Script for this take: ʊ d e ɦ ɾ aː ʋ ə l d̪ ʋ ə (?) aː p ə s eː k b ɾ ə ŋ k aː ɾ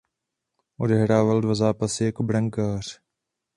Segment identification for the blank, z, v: z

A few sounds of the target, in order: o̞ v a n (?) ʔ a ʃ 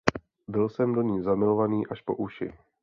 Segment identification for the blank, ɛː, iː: iː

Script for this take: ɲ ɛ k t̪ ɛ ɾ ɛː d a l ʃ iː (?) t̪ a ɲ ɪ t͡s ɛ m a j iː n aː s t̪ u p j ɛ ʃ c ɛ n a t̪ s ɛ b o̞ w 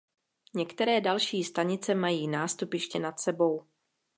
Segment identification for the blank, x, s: s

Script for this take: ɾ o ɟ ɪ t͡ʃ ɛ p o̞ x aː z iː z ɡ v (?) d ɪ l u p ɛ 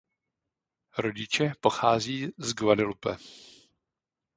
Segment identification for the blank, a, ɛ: a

